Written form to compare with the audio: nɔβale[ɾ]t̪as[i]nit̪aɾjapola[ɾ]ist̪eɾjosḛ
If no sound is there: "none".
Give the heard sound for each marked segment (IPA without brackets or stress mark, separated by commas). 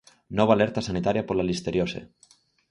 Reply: ɾ, a, l